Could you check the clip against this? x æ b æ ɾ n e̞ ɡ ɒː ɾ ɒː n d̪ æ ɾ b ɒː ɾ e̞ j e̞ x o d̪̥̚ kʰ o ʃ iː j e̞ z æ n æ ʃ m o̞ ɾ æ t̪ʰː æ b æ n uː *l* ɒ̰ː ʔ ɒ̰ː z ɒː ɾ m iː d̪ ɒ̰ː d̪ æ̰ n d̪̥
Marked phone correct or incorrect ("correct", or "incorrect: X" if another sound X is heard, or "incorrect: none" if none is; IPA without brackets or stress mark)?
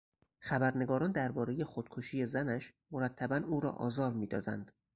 incorrect: ɾ